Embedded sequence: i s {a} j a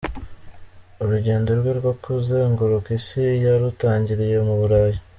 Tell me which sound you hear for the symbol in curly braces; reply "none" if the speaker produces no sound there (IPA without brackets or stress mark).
i